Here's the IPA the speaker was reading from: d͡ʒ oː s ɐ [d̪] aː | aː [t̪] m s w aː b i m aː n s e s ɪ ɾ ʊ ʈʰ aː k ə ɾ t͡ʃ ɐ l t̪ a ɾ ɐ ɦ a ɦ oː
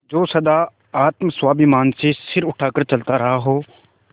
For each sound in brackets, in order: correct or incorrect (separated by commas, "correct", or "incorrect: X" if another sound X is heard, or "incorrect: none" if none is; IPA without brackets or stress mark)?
correct, correct